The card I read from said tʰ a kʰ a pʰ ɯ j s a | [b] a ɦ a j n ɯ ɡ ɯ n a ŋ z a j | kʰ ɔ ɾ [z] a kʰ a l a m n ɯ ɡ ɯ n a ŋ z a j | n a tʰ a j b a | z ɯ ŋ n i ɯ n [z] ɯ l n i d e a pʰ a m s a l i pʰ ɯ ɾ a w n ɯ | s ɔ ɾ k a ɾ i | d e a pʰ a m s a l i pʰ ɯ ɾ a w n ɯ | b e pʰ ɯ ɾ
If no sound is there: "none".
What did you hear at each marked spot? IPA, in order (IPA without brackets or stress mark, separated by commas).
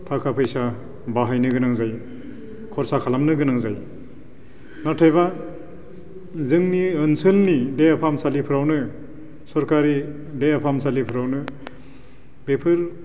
b, s, s